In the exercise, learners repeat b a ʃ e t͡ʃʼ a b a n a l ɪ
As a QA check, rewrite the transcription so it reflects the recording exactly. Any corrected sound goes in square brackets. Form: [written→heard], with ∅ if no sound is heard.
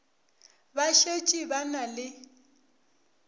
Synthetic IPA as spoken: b a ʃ e t͡ʃʼ [a→i] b a n a l ɪ